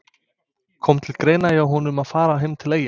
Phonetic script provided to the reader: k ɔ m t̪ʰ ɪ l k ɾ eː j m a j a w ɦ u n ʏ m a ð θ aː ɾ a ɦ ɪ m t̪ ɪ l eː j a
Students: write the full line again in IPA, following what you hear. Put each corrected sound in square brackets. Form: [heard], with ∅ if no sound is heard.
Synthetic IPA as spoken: [kʰ] ɔ m t̪ʰ ɪ l k ɾ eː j [n] a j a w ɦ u n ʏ m a ð [f] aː ɾ a ɦ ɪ m [t̪ʰ] ɪ l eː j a